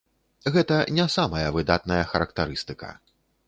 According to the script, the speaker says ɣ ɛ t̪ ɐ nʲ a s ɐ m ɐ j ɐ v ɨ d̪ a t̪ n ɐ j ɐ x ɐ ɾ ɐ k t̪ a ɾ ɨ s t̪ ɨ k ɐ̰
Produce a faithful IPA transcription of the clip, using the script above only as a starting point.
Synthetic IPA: ɣ ɛ t̪ ɐ nʲ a s a m ɐ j ɐ v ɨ d̪ a t̪ n ɐ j ɐ x ɐ ɾ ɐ k t̪ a ɾ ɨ s t̪ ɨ k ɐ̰